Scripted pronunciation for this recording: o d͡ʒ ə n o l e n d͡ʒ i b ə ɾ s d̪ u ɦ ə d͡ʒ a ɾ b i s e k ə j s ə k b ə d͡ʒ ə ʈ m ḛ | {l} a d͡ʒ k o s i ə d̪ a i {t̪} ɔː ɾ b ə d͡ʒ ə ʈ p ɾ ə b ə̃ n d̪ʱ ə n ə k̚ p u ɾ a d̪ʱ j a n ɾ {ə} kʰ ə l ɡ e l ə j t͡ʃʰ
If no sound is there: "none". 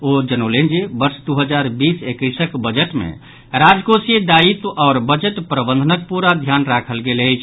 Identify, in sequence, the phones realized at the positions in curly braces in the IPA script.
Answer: ɾ, t̪, a

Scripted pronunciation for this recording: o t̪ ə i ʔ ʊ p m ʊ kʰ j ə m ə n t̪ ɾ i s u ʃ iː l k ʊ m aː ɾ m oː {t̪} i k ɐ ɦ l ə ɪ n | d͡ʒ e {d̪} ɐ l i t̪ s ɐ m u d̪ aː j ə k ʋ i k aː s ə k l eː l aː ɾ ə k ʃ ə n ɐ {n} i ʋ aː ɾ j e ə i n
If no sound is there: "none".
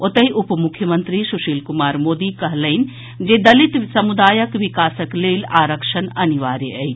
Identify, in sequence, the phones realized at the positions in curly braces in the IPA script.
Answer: d̪, d̪, n

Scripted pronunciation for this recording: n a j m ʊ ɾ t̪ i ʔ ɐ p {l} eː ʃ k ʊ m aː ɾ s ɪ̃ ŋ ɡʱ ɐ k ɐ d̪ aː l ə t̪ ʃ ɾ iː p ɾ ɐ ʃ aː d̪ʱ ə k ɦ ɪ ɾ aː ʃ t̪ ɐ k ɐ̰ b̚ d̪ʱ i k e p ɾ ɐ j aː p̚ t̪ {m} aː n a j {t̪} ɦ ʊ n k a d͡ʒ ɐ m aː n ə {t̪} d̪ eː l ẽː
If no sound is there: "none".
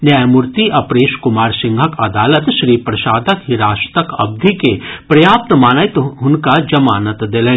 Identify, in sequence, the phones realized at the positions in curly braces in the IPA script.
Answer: ɾ, m, t̪, t̪

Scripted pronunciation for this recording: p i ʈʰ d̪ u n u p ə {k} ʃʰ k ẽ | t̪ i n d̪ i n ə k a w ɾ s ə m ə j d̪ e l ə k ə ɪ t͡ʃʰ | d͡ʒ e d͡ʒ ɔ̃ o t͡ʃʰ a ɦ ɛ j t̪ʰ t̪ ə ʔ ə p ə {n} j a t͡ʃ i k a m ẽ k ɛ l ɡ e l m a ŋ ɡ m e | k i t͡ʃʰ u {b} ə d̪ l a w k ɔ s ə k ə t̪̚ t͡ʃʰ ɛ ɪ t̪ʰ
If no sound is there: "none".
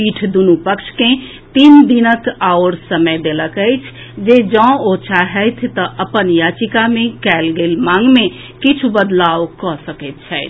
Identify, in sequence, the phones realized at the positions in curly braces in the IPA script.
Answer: k, n, b

